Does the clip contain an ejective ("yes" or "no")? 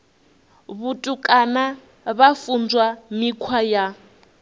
yes